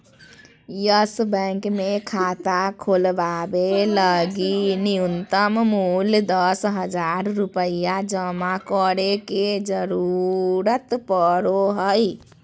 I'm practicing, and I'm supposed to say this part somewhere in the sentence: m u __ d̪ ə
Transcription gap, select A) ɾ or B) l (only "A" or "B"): B